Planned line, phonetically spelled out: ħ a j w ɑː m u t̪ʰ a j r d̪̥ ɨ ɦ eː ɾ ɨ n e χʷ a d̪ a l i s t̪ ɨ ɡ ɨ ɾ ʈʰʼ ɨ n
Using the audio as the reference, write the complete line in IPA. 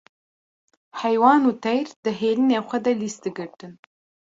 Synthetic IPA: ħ a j w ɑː n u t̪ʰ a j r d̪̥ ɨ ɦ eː l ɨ n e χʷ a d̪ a l i s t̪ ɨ ɡ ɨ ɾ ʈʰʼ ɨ n